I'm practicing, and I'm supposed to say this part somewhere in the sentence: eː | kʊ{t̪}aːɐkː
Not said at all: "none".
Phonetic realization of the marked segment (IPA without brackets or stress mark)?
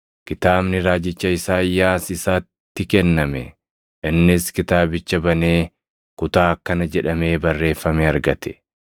t̪